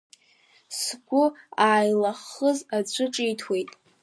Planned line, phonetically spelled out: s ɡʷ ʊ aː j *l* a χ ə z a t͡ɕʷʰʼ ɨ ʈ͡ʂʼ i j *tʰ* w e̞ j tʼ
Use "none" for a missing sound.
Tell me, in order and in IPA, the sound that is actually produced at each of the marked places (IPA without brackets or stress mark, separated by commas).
l, tʰ